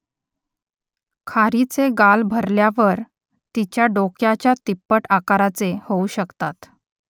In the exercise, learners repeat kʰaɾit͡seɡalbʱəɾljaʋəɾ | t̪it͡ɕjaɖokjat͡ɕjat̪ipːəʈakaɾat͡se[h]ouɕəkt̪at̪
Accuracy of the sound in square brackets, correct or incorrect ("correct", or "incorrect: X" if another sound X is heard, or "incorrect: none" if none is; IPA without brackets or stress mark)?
correct